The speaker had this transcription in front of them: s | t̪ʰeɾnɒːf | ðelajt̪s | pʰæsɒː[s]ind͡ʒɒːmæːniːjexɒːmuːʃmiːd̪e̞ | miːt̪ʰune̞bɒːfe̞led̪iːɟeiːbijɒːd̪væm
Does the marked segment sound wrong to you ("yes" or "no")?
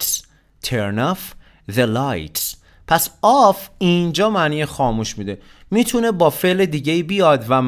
yes